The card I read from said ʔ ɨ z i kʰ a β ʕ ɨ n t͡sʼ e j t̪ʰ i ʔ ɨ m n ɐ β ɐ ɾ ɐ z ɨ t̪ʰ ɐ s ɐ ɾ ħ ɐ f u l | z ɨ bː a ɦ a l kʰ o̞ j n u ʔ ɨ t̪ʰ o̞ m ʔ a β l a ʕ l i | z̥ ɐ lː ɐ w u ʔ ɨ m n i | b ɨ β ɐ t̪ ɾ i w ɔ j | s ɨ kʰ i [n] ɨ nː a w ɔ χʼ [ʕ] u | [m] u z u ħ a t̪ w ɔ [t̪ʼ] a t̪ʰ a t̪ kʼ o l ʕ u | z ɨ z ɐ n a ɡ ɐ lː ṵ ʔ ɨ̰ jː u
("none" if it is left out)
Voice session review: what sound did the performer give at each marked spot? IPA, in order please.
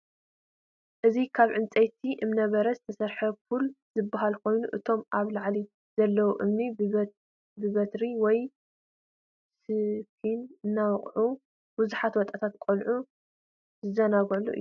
n, ʕ, b, t̪ʼ

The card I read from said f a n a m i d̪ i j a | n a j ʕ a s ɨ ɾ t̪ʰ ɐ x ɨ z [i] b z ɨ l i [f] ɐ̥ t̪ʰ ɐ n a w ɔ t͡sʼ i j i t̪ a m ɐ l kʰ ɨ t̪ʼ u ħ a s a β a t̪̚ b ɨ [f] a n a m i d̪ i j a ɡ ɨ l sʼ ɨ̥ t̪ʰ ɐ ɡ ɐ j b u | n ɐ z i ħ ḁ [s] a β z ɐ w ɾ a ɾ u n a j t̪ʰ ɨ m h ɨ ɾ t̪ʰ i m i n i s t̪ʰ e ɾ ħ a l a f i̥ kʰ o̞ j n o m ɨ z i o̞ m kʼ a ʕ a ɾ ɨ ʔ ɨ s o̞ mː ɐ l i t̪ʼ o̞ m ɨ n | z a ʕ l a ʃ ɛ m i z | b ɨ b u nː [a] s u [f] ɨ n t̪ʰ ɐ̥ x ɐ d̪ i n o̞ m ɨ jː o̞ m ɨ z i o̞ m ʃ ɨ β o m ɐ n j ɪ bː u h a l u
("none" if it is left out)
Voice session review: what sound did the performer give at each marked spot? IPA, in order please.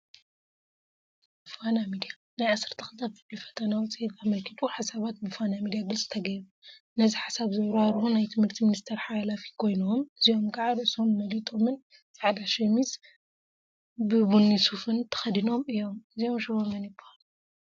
a, f, f, s, i, f

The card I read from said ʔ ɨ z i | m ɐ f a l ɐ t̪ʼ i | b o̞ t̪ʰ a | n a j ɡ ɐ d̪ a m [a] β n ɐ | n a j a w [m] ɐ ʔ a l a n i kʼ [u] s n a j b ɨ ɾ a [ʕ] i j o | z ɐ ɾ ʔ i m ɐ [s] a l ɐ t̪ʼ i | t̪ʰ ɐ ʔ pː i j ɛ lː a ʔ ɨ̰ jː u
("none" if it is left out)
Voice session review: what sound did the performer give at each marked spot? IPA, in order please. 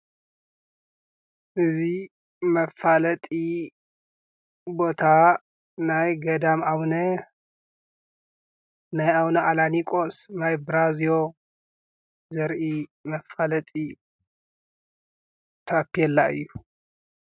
a, n, o, z, f

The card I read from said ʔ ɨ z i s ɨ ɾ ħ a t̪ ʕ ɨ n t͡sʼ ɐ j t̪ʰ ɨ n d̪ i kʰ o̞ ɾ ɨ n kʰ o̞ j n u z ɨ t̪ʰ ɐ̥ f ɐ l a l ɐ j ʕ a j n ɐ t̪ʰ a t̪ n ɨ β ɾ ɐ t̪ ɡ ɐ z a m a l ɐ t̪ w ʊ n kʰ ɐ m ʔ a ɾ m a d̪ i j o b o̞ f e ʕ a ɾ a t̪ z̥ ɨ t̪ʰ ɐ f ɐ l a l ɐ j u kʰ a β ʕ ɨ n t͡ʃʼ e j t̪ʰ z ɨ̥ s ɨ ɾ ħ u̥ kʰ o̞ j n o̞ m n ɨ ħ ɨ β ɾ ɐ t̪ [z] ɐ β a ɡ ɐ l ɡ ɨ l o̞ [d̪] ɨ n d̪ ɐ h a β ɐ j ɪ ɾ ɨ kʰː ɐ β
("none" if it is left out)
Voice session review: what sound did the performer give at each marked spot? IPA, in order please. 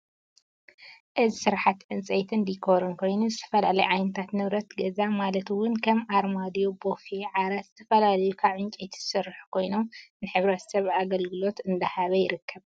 s, t̪

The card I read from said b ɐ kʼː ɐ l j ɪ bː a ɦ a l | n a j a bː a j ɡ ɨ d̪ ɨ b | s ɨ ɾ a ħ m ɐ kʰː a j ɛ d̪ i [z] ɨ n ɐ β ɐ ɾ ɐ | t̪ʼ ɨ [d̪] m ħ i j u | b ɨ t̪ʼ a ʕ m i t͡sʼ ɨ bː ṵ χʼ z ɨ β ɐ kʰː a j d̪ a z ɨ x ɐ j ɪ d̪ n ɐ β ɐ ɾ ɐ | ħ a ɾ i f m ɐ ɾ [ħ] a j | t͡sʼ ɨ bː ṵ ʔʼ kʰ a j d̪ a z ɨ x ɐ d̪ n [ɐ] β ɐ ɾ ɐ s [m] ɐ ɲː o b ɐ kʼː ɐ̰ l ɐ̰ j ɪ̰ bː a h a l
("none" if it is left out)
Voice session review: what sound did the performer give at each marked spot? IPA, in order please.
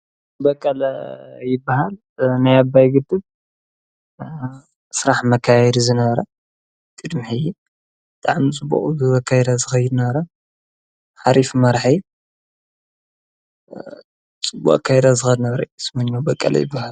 z, d̪, ħ, ɐ, m

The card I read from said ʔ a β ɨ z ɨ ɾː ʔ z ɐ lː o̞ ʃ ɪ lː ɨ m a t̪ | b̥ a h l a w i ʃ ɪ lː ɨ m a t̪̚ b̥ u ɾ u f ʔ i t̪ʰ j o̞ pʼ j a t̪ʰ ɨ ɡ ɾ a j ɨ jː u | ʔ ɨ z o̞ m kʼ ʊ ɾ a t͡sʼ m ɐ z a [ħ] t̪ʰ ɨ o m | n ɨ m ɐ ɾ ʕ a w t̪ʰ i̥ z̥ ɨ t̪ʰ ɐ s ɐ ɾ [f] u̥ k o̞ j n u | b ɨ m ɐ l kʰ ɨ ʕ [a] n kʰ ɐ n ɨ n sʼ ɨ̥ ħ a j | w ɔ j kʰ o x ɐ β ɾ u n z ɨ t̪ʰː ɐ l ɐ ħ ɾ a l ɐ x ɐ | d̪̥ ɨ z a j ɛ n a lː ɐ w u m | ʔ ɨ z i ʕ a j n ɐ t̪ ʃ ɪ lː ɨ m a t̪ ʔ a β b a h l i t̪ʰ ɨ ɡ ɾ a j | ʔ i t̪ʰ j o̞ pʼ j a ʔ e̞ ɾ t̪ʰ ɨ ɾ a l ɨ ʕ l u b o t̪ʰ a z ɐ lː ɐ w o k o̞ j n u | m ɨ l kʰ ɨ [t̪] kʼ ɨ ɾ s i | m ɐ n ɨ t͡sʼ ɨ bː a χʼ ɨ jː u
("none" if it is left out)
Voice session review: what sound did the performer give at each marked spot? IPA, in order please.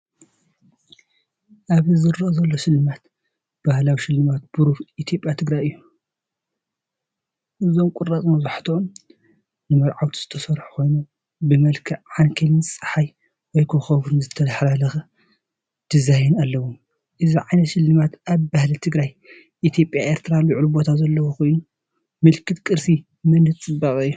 ħ, ħ, a, t̪

